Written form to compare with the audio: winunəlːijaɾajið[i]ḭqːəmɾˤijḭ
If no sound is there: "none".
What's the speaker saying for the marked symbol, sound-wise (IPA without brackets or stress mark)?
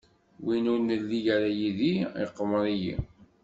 i